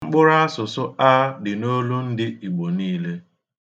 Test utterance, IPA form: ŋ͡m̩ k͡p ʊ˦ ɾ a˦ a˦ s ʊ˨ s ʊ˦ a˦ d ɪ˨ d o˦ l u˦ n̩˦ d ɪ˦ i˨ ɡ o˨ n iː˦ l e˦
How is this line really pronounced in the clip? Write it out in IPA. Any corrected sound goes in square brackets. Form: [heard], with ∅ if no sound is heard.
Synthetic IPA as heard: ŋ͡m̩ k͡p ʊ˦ ɾ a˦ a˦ s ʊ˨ s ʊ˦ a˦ d ɪ˨ [n] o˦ l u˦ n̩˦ d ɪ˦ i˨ [ɡ͡b] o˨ n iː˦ l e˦